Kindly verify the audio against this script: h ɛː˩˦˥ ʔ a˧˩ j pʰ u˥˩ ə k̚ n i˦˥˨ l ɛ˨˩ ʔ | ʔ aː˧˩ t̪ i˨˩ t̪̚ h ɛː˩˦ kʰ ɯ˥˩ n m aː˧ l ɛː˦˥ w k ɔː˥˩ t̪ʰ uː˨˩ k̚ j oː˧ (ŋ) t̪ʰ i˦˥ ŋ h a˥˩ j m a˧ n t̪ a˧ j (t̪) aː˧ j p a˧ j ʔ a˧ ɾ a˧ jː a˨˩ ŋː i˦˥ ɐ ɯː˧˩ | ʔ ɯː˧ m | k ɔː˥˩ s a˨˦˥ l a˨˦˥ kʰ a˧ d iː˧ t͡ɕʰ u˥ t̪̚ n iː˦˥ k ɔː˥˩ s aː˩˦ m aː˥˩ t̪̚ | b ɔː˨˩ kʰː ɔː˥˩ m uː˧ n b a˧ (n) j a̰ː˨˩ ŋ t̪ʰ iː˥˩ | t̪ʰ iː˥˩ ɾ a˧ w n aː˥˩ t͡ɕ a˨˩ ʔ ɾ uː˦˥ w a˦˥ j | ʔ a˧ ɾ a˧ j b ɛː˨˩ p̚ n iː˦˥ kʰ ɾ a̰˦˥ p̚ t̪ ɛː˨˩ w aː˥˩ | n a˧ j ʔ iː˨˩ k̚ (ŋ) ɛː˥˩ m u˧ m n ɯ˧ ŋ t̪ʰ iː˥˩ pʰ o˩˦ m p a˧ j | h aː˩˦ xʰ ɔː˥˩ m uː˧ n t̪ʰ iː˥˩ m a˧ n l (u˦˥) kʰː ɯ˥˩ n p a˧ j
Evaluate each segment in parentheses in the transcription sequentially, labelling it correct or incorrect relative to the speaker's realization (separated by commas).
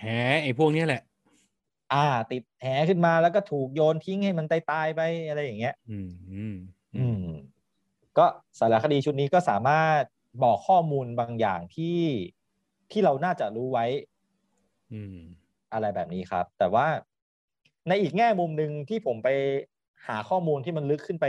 incorrect, correct, incorrect, correct, incorrect